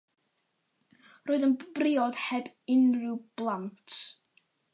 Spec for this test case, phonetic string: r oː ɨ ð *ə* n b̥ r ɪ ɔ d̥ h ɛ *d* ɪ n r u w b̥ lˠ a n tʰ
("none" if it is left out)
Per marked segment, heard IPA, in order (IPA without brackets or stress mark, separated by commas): ə, b